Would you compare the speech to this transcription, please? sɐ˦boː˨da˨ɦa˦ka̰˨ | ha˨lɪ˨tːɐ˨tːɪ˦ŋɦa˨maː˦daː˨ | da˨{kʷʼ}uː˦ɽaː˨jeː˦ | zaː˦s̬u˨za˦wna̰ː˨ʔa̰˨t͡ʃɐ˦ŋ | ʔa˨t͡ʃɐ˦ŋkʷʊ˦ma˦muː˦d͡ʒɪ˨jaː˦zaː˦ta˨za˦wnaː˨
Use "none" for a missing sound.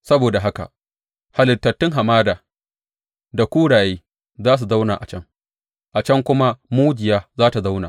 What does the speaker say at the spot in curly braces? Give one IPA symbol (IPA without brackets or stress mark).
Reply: kʷ